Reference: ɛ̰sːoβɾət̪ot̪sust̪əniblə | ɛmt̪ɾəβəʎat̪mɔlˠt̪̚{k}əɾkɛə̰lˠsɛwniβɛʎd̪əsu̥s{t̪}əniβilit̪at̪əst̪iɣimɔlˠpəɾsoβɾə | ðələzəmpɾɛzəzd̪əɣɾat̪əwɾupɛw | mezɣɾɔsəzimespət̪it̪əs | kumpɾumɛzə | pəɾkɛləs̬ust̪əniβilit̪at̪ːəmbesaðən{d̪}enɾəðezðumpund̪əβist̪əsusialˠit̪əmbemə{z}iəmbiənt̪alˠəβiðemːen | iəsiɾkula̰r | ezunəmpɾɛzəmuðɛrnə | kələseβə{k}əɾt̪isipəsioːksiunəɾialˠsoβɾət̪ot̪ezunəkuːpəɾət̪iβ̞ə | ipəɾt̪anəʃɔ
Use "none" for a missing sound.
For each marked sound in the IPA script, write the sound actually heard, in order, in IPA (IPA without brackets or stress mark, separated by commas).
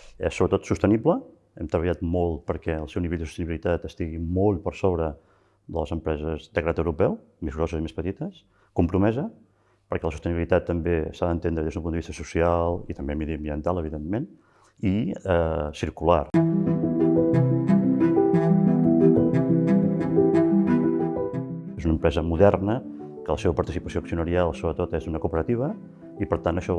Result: p, t̪, t̪, ð, p